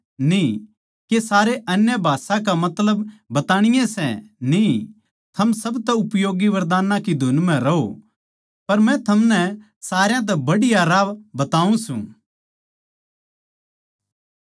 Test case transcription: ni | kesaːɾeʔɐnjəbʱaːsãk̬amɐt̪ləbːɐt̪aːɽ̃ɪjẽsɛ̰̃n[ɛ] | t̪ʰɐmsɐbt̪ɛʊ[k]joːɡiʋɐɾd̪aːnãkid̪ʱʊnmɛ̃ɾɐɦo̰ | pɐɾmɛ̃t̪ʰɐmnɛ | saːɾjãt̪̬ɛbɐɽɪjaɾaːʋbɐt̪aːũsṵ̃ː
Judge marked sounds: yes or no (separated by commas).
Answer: no, no